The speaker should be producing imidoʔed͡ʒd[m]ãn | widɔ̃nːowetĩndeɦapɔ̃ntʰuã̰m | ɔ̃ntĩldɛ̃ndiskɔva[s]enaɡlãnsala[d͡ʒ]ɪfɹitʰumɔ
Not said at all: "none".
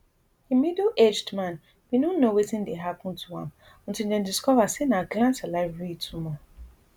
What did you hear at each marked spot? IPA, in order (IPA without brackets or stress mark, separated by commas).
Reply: m, s, none